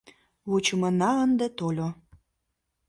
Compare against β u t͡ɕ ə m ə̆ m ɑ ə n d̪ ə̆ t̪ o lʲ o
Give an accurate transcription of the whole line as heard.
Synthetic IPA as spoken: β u t͡ɕ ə m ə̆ n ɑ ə n d̪ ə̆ t̪ o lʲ o